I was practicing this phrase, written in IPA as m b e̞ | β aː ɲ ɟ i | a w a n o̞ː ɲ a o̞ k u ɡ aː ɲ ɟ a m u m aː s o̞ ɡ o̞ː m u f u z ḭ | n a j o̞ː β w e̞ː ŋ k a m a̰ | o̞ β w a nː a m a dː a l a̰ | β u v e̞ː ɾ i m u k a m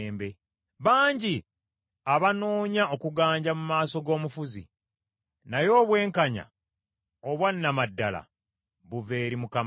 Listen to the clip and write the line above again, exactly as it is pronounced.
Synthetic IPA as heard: m b e̞ | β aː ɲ ɟ i | a β a n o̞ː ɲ a o̞ k u ɡ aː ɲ ɟ a m u m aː s o̞ ɡ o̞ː m u f u z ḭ | n a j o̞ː β w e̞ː ŋ k a ɲ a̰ | o̞ β w a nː a m a dː a l a̰ | β u v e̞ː ɾ i m u k a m